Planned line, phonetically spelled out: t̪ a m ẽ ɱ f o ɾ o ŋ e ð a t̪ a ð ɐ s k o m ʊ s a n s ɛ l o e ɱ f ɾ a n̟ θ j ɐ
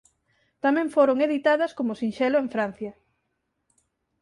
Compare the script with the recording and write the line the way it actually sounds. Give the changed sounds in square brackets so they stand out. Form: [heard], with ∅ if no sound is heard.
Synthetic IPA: t̪ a m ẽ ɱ f o ɾ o ŋ e ð [i] t̪ a ð ɐ s k o m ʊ s [i] n [ʃ] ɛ l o e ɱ f ɾ a n̟ θ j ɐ